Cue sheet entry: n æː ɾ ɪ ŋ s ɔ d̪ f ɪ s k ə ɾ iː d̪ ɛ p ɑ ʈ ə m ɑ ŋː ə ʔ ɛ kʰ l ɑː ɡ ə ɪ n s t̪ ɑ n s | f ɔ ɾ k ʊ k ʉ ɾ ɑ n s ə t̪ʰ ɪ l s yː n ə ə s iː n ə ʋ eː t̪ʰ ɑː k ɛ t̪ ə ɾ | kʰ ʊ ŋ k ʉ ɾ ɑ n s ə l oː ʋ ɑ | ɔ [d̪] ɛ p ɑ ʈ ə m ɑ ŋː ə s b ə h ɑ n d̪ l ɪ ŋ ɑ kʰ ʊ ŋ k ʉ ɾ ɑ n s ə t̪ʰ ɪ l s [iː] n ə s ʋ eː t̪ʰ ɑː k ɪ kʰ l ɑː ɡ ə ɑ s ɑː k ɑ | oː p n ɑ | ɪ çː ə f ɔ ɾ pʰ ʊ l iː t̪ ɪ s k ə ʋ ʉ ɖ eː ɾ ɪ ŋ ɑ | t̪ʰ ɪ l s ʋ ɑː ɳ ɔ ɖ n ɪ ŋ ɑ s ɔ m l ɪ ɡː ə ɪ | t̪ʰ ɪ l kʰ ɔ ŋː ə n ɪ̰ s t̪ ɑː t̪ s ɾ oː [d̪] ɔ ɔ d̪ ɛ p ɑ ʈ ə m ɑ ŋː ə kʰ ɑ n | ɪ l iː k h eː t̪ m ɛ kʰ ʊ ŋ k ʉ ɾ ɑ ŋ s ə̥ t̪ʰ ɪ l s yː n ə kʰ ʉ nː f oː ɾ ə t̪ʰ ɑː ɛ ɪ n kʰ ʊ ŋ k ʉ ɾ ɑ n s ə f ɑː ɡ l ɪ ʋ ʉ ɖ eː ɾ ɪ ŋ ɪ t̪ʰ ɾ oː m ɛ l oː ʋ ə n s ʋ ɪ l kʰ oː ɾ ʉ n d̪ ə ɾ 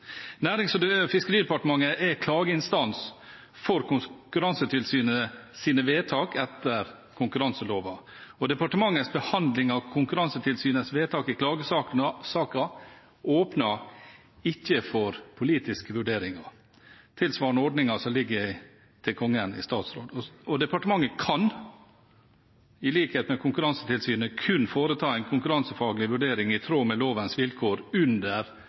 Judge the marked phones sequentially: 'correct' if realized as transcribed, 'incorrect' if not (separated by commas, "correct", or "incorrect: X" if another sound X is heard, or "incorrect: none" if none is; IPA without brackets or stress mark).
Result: correct, incorrect: yː, correct